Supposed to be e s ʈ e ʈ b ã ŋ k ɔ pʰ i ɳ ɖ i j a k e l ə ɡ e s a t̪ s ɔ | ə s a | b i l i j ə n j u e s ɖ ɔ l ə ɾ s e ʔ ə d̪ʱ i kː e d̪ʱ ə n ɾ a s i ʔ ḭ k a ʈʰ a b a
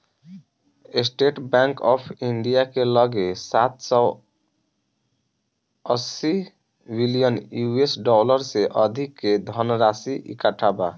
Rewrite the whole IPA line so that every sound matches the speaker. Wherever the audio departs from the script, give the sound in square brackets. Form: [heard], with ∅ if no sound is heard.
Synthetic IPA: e s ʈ e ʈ b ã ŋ k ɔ pʰ i ɳ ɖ i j a k e l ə ɡ e s a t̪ s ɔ | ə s [i] | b i l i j ə n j u e s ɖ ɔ l ə ɾ s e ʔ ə d̪ʱ i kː e d̪ʱ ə n ɾ a s i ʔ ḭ k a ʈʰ a b a